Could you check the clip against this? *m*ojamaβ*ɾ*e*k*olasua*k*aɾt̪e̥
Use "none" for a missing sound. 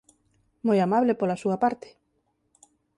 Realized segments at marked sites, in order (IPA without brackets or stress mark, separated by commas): m, l, p, p